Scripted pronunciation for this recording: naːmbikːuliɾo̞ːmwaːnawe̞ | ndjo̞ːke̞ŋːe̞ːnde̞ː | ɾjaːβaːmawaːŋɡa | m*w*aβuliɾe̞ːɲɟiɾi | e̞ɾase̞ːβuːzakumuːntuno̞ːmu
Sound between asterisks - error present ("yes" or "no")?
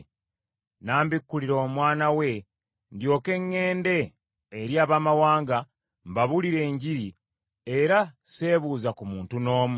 yes